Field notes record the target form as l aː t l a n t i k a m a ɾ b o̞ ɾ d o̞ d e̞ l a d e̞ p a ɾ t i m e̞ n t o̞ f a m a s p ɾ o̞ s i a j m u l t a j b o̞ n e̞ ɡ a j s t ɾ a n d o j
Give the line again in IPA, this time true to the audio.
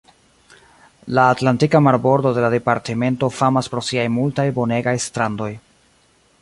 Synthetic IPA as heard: l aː t l a n t i k a m a ɾ b o̞ ɾ d o̞ d e̞ l a d e̞ p a ɾ t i m e̞ n t o̞ f a m a s p ɾ o̞ s i a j m u l t a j b o̞ n e̞ ɡ a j s t ɾ a n d o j